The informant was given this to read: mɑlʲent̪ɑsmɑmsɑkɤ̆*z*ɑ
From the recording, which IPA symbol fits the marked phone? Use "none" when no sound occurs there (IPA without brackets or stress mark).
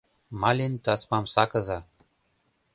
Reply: z